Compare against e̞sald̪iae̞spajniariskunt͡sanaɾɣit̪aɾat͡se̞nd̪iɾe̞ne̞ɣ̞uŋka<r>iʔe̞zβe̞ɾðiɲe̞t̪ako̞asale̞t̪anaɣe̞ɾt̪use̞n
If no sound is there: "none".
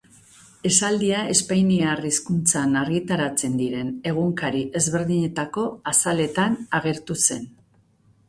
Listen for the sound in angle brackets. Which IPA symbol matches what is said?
ɾ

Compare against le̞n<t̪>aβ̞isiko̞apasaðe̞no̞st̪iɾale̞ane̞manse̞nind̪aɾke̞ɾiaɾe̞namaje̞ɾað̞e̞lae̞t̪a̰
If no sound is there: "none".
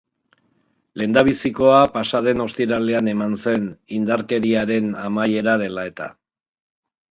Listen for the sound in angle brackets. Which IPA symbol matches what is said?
d̪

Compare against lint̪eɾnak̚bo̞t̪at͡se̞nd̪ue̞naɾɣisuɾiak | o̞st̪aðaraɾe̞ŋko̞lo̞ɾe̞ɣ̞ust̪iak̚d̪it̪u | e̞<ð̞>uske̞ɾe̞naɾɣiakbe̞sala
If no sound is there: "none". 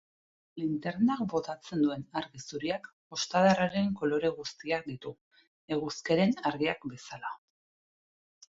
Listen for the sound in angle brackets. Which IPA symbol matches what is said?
ɣ̞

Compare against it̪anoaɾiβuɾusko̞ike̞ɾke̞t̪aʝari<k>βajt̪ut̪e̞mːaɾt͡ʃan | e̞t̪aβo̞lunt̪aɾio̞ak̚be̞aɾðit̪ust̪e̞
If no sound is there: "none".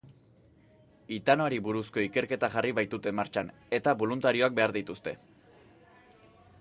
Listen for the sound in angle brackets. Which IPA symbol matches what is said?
none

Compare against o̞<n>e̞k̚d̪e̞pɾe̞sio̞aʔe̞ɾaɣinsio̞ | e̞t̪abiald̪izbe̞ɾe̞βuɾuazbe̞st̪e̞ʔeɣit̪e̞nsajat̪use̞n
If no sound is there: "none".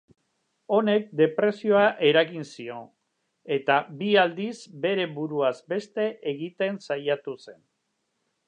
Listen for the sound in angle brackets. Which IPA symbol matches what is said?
n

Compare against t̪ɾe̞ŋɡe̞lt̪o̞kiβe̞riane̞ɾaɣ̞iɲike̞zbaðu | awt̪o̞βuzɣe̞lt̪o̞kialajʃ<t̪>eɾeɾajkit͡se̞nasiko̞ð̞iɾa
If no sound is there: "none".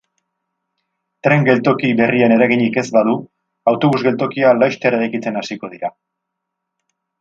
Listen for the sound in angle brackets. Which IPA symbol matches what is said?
t̪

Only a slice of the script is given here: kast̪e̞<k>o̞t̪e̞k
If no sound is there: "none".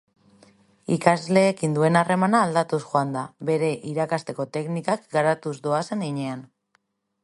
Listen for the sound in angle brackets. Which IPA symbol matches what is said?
k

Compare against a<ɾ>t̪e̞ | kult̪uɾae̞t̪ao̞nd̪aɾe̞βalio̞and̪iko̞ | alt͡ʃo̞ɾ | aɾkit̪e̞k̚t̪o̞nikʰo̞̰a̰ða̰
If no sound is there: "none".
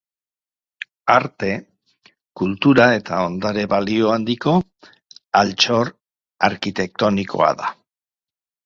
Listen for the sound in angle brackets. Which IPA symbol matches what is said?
ɾ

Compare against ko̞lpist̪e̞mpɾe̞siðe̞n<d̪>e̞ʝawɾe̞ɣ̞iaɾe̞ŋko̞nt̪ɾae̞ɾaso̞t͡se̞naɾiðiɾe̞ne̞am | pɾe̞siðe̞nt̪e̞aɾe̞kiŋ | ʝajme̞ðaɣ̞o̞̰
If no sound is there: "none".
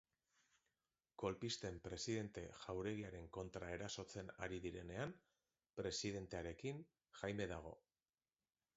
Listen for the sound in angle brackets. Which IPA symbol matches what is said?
t̪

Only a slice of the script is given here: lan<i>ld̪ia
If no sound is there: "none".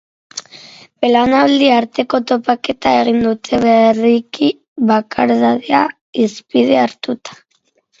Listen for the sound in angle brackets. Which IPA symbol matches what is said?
a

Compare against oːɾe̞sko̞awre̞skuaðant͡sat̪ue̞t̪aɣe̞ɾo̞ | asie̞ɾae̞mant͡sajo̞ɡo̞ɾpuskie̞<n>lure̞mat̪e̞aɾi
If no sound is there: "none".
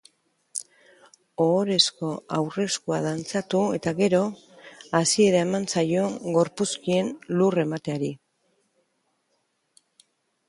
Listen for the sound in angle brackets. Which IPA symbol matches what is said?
n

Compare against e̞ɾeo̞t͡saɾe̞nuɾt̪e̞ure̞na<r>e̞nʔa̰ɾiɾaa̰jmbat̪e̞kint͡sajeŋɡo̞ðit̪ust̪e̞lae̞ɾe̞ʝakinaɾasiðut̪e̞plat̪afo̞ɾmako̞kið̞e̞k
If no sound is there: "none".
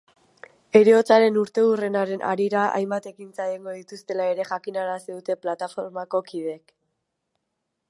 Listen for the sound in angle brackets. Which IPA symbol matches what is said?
ɾ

